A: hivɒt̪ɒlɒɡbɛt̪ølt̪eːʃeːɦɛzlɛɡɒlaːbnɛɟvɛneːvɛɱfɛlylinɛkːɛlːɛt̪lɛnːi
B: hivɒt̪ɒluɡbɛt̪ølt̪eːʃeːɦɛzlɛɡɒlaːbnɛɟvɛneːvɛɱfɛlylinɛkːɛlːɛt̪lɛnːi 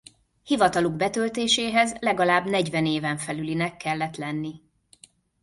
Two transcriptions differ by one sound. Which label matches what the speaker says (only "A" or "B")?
B